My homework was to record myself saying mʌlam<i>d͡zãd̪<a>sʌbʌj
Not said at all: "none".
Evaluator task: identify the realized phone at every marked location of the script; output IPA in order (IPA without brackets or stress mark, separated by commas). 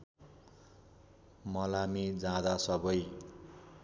i, a